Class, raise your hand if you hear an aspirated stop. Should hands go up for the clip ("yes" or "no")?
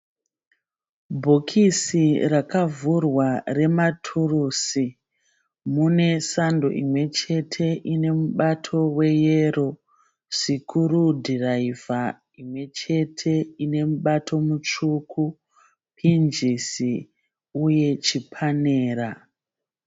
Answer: yes